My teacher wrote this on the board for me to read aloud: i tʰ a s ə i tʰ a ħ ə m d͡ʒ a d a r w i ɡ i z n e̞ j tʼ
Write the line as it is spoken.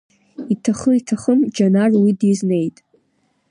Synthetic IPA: i tʰ a χ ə i tʰ a χ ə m d͡ʒ a n a r w i d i z n e̞ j tʼ